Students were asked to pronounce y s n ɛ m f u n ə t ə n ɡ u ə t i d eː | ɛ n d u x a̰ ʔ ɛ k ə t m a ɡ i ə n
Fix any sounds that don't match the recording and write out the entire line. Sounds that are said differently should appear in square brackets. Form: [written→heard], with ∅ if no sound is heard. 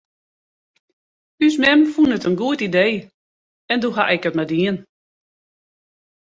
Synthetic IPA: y s [n→m] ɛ m f u n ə t ə n ɡ u ə t i d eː | ɛ n d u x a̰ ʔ ɛ k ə t m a [ɡ→d] i ə n